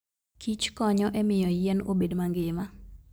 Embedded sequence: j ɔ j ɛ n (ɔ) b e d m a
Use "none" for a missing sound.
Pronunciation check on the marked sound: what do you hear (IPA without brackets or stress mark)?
o